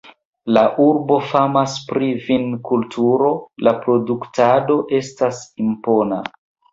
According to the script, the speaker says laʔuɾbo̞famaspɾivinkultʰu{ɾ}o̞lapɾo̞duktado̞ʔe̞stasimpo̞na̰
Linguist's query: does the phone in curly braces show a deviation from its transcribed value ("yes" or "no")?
no